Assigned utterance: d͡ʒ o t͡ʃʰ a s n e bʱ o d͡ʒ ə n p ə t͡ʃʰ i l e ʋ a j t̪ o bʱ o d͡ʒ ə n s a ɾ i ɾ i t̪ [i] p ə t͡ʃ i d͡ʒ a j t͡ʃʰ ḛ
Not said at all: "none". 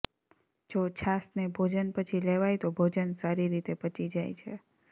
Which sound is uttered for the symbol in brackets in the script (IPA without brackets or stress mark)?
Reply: e